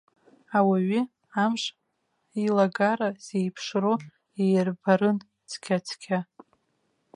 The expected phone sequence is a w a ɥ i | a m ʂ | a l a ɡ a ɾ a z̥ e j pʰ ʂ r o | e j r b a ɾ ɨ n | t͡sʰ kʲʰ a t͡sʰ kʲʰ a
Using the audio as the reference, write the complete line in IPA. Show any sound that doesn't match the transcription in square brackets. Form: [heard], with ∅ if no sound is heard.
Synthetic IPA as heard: a w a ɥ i | a m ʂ | [i] l a ɡ a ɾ a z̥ e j pʰ ʂ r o | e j r b a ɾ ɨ n | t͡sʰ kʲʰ a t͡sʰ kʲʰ a